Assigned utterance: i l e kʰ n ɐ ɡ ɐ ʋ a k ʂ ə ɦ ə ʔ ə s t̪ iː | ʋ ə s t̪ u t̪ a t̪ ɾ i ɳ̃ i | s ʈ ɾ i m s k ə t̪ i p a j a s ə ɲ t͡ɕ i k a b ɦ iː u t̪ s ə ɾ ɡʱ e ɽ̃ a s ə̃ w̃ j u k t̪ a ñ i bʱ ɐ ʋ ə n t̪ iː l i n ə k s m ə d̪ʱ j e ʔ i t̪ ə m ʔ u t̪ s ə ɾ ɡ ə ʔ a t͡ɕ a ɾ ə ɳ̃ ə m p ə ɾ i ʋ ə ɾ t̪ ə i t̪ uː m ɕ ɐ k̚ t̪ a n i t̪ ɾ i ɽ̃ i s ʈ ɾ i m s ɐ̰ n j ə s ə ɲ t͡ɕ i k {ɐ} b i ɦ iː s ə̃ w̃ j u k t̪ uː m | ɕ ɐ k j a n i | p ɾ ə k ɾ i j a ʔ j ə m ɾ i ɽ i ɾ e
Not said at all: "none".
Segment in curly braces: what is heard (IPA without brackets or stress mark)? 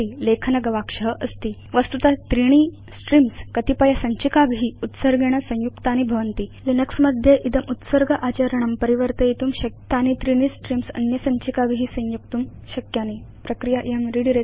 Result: a